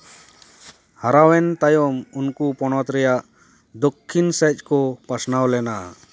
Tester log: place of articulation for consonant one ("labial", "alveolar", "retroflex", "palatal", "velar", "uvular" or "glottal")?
glottal